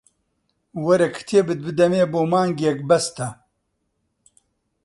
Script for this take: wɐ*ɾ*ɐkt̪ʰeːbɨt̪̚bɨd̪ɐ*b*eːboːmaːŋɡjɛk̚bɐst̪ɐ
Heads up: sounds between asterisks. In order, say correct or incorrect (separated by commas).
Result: correct, incorrect